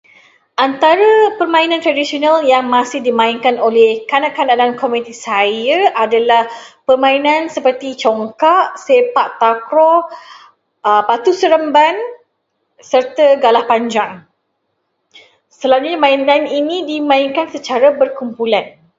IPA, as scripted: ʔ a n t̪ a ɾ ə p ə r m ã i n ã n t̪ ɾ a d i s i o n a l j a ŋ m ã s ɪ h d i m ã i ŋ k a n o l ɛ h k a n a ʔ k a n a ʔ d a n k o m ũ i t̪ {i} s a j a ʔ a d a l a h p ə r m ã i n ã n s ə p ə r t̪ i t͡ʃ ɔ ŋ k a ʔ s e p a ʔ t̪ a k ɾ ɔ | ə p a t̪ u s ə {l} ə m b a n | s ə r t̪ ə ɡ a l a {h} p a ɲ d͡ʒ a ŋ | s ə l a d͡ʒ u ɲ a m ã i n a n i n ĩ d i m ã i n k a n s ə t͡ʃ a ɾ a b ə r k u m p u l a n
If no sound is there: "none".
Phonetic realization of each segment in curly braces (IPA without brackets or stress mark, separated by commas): i, ɾ, h